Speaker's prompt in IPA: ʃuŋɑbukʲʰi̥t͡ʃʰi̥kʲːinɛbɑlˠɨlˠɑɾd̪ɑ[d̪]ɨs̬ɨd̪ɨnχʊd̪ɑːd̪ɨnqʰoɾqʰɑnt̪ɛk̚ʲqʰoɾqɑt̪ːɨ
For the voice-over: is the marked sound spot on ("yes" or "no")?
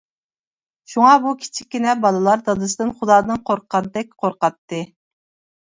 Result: yes